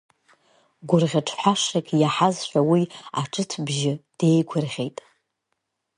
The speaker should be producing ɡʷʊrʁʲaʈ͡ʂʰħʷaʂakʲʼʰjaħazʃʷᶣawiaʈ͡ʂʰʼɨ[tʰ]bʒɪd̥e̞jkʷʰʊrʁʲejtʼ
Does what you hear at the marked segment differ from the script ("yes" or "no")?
no